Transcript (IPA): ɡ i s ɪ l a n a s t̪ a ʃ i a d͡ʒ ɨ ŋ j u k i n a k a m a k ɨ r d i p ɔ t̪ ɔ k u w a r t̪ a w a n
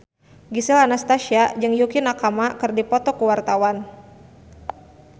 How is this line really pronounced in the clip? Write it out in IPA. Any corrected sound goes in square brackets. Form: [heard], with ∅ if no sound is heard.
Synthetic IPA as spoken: ɡ i s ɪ l a n a s t̪ a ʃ i a d͡ʒ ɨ ŋ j u k i n a k a m a k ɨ r d i p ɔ t̪ ɔ k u w a r t̪ a w a n

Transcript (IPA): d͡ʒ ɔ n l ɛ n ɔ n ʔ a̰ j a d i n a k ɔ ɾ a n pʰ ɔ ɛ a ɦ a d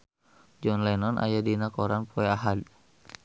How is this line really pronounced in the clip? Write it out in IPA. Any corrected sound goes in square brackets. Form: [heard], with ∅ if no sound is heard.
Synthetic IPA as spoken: d͡ʒ ɔ n l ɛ n ɔ n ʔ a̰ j a d i n a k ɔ ɾ a n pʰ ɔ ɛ a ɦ a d

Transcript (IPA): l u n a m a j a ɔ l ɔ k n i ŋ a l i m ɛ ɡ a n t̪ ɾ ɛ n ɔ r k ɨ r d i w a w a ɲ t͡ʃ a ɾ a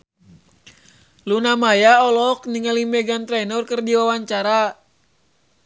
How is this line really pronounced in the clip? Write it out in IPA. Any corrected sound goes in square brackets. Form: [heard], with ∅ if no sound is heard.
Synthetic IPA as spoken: l u n a m a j a ɔ l ɔ k n i ŋ a l i m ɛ ɡ a n t̪ ɾ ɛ n ɔ r k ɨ r d i w a w a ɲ t͡ʃ a ɾ a

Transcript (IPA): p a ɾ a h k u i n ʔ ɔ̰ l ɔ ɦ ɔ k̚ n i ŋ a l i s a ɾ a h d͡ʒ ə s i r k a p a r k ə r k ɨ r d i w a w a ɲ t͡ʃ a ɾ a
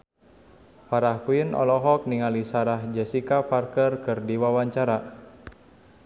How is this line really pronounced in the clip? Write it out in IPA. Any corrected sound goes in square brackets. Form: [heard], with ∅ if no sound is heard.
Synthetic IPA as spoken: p a ɾ a h k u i n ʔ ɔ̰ l ɔ ɦ ɔ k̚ n i ŋ a l i s a ɾ a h d͡ʒ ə s i [∅] k a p a r k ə r k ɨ r d i w a w a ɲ t͡ʃ a ɾ a

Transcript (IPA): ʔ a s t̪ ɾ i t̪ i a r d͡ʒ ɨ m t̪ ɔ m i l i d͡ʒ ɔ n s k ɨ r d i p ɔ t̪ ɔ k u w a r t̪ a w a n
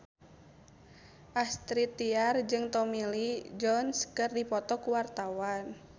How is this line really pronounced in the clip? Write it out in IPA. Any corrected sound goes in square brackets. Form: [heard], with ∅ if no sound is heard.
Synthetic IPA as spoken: ʔ a s t̪ ɾ i t̪ i a r d͡ʒ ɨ [ŋ] t̪ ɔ m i l i d͡ʒ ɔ n s k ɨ r d i p ɔ t̪ ɔ k u w a r t̪ a w a n

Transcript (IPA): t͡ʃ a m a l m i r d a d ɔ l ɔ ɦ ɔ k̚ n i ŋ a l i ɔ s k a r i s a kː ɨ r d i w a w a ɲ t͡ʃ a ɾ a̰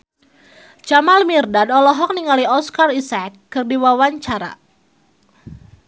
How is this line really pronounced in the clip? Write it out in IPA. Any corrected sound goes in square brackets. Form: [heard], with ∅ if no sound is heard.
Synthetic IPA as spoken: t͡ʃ a m a l m i r d a d ɔ l ɔ ɦ ɔ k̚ n i ŋ a l i ɔ s k a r i s a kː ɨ r d i w a w a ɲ t͡ʃ a ɾ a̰

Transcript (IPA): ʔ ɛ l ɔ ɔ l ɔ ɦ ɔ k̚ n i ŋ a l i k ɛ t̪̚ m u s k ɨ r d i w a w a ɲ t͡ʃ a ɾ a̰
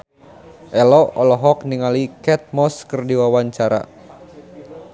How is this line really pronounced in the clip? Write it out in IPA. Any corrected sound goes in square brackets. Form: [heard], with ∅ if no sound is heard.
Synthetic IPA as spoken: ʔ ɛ l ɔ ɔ l ɔ ɦ ɔ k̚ n i ŋ a l i k ɛ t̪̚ m [ɔ] s k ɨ r d i w a w a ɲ t͡ʃ a ɾ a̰

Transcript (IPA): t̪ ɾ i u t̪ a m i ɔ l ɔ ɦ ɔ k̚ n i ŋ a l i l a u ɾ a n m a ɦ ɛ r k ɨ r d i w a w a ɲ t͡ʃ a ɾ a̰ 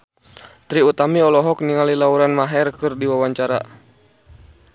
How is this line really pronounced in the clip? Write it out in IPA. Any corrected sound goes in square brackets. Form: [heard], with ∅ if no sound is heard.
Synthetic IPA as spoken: t̪ ɾ i u t̪ a m i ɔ l ɔ ɦ ɔ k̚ n i ŋ a l i l a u ɾ a n m a ɦ ɛ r k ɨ r d i w a w a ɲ t͡ʃ a ɾ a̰

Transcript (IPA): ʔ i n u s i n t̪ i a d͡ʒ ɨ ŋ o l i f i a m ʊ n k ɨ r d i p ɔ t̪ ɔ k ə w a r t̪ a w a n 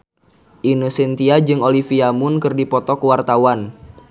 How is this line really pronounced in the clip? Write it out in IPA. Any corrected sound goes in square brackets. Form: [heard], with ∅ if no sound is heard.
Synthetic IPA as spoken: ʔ i n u s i n t̪ i a d͡ʒ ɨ ŋ o l i f i a m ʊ n k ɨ r d i p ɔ t̪ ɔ k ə w a r t̪ a w a n

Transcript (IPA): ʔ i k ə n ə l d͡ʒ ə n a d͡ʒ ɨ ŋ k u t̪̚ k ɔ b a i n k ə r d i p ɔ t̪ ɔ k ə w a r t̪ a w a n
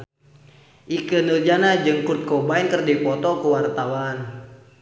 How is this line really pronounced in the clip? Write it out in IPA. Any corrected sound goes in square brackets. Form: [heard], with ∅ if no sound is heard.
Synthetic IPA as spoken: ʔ i k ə n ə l d͡ʒ [a] n a d͡ʒ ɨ ŋ k u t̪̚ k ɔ b a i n k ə r d i p ɔ t̪ ɔ k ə w a r t̪ a w a n

